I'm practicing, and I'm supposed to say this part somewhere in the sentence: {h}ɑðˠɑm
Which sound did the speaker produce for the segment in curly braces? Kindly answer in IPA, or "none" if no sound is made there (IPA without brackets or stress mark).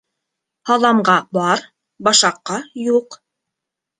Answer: h